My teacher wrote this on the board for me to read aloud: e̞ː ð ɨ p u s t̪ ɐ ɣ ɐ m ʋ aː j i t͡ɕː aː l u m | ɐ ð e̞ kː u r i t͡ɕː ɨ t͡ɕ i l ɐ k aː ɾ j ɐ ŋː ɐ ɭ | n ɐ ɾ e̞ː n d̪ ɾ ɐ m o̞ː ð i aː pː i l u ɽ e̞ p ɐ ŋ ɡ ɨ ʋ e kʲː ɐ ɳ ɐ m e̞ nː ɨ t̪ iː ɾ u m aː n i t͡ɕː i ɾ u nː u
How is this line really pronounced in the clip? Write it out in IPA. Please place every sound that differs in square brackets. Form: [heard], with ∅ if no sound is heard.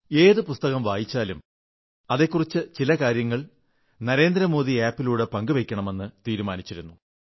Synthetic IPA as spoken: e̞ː ð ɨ p u s t̪ ɐ ɣ ɐ m ʋ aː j i t͡ɕː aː l u m | ɐ ð e̞ kː u r i t͡ɕː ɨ t͡ɕ i l ɐ k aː ɾ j ɐ ŋː ɐ ɭ | n ɐ ɾ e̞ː n d̪ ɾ ɐ m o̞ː ð i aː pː i l [uː] ɽ e̞ p ɐ ŋ ɡ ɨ ʋ e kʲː ɐ ɳ ɐ m e̞ nː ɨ t̪ iː ɾ u m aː n i t͡ɕː i ɾ u nː u